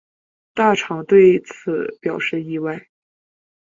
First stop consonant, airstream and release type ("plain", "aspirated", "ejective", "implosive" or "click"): plain